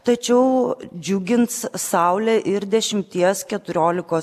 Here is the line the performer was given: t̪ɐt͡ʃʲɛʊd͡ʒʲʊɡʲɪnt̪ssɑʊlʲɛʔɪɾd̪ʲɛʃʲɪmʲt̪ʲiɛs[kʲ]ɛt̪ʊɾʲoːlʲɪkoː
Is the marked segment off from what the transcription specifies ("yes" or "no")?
no